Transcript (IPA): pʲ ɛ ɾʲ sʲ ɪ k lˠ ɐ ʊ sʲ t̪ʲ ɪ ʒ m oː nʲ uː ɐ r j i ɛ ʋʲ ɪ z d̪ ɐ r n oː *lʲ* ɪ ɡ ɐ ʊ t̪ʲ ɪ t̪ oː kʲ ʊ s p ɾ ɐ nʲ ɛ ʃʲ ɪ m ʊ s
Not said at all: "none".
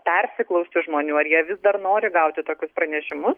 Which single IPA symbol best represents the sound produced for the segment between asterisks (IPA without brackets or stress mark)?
ɾʲ